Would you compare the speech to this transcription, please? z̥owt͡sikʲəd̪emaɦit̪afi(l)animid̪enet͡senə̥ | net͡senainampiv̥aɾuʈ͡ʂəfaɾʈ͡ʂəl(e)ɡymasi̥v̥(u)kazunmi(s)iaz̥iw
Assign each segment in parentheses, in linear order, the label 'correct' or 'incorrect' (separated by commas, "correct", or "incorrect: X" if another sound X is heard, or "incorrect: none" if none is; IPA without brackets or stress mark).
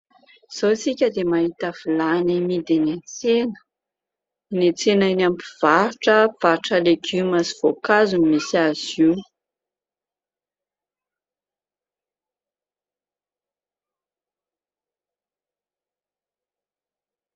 correct, correct, incorrect: o, correct